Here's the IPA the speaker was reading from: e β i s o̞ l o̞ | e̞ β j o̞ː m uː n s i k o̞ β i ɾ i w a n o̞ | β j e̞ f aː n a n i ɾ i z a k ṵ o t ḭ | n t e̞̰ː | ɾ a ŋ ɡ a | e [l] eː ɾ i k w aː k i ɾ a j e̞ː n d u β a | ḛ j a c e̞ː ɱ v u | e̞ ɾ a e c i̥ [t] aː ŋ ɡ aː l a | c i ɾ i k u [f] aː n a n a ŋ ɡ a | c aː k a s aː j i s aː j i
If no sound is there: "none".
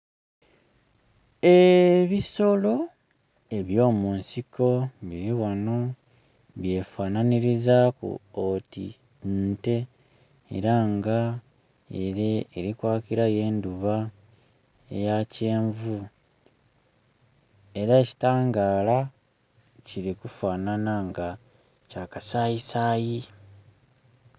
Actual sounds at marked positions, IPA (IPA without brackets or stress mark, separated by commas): ɾ, t, f